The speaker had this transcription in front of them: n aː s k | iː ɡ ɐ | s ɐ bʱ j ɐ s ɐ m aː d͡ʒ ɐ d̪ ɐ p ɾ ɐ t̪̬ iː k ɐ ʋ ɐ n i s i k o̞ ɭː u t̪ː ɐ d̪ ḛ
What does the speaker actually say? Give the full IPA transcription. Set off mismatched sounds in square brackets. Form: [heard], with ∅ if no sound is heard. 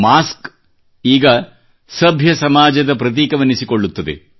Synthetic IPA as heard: [m] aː s k | iː ɡ ɐ | s ɐ bʱ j ɐ s ɐ m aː d͡ʒ ɐ d̪ ɐ p ɾ ɐ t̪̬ iː k ɐ ʋ ɐ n i s i k o̞ ɭː u t̪ː ɐ d̪ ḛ